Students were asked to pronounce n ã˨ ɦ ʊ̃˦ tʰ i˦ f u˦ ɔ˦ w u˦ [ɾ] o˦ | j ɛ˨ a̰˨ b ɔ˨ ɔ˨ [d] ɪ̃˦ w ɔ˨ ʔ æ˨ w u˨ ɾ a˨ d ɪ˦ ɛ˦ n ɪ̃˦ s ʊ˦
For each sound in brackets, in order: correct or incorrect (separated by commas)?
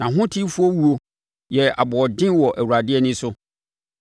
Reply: incorrect, correct